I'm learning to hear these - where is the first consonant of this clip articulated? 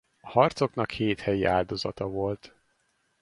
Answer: throat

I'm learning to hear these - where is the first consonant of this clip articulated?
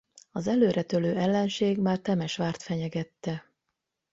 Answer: tongue tip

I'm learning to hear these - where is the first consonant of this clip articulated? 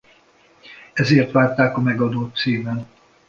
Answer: tongue tip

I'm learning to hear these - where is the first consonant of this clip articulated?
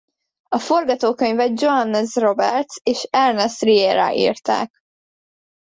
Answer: lips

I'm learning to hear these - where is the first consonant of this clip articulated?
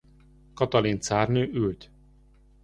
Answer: velum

